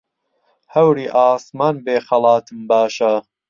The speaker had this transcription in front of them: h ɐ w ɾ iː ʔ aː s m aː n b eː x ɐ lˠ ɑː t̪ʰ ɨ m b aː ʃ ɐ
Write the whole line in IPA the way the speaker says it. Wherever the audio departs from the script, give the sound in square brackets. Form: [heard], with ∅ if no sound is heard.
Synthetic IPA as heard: h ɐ w ɾ iː ʔ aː s m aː n b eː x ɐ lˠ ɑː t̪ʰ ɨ m b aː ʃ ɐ